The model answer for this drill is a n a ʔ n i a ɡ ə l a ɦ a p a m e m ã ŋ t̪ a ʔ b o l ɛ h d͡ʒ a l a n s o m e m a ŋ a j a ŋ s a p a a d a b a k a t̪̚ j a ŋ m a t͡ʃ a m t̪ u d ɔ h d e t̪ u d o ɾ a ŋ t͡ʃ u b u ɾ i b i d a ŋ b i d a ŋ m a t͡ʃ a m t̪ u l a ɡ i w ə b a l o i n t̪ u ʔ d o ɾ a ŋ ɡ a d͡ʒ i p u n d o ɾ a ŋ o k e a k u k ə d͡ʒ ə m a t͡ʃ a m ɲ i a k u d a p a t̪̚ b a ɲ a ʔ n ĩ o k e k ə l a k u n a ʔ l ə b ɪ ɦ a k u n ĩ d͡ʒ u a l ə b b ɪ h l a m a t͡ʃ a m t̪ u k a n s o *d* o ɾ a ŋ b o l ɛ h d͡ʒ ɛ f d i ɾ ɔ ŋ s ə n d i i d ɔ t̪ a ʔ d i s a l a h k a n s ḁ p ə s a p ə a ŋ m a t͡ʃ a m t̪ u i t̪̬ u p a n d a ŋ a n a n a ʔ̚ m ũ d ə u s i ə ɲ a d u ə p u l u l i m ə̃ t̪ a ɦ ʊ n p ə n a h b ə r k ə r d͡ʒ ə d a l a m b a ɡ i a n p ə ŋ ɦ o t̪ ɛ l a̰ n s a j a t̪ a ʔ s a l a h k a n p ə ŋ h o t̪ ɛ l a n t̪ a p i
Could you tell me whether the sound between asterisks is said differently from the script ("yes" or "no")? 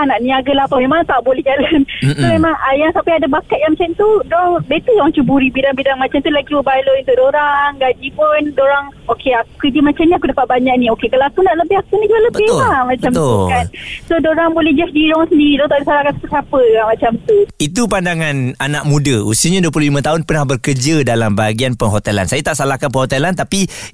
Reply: no